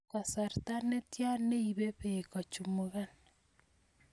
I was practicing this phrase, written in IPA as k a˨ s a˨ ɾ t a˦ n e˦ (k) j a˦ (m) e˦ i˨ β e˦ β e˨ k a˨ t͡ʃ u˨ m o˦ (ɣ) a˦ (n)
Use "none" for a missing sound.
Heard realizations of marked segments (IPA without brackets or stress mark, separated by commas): t, n, ɣ, n